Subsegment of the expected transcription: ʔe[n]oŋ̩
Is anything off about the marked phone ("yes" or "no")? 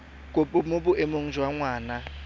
yes